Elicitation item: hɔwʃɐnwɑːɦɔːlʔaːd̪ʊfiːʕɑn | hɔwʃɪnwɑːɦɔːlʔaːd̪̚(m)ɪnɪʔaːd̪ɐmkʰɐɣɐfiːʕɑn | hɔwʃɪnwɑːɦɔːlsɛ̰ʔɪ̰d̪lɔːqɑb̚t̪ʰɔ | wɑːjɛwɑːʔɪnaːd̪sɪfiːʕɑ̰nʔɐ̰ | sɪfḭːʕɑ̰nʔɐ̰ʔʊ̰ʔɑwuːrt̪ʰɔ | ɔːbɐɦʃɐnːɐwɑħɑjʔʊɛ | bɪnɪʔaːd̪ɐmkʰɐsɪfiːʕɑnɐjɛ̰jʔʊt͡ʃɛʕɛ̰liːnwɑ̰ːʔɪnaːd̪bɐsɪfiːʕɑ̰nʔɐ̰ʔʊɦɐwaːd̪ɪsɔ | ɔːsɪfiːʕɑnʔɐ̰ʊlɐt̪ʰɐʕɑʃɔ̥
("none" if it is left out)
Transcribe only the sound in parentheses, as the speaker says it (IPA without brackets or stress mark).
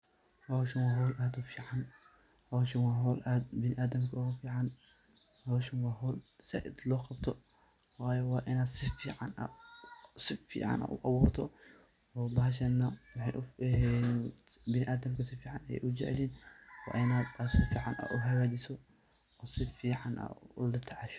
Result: b